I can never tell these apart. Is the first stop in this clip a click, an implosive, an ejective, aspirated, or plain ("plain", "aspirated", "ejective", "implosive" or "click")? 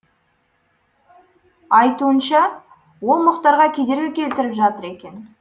plain